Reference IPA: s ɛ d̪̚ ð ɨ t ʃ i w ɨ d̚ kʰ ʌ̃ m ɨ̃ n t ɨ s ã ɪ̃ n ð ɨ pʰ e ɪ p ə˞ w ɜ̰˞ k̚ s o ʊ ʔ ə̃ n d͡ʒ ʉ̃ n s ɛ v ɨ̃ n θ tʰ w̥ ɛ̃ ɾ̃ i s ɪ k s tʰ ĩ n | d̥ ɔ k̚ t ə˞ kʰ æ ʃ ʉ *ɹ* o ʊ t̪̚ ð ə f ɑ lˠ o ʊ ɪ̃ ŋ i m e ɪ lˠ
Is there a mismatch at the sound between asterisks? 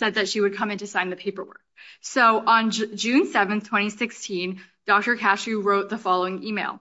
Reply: no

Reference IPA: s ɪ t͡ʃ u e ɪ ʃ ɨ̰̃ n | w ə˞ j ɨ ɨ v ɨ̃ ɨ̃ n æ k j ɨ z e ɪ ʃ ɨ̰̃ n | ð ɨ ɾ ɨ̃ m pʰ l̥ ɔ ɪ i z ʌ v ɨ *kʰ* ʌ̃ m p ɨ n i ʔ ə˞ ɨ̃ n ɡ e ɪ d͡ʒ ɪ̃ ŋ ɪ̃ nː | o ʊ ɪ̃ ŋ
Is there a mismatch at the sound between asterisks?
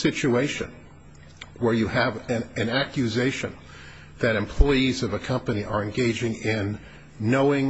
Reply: no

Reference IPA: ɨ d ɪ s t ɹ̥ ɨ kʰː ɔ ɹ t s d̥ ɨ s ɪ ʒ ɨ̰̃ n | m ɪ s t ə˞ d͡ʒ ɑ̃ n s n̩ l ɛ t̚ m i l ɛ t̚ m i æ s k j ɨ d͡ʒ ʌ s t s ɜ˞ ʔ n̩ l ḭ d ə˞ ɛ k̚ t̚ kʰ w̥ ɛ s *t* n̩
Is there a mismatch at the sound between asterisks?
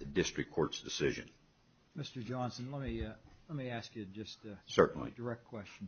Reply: yes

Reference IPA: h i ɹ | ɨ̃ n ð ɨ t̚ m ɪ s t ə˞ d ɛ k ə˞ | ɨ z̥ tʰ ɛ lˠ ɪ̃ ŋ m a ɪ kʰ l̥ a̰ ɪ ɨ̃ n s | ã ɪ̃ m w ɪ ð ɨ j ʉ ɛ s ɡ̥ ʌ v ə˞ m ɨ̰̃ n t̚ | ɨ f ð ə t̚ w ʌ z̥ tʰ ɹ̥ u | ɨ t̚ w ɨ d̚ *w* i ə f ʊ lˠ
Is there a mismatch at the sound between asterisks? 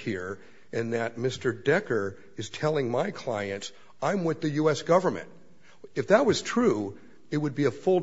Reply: yes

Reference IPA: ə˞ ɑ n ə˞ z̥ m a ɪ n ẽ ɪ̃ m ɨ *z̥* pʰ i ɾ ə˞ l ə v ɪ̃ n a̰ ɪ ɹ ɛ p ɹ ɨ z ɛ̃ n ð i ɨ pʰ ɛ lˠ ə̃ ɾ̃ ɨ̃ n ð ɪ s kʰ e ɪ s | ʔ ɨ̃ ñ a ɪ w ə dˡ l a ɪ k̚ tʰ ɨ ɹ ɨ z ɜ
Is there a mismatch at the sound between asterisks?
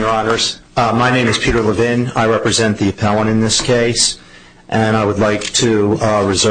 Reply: no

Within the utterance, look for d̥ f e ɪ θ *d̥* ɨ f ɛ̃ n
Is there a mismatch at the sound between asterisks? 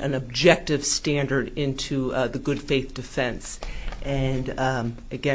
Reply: no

